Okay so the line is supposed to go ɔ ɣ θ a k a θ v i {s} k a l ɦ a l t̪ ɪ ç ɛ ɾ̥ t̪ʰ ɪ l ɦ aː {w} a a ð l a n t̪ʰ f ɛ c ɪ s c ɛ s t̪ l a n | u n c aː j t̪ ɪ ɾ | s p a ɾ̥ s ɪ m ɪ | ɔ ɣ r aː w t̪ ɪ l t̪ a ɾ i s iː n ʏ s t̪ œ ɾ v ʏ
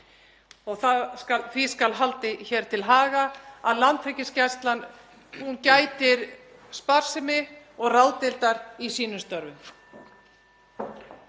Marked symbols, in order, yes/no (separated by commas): yes, no